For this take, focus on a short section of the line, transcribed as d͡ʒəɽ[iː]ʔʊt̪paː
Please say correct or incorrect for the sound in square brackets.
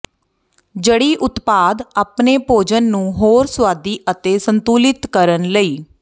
correct